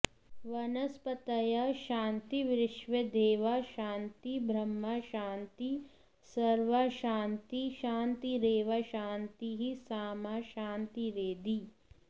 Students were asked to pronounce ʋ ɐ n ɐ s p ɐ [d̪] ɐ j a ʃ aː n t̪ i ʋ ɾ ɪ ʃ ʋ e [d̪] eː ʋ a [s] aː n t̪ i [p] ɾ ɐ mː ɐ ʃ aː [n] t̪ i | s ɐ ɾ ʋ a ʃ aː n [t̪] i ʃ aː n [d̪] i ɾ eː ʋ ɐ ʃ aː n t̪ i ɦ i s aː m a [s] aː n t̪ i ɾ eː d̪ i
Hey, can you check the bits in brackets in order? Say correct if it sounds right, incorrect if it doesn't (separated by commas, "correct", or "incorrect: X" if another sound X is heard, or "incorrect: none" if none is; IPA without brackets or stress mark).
incorrect: t̪, correct, incorrect: ʃ, incorrect: b, correct, correct, incorrect: t̪, incorrect: ʃ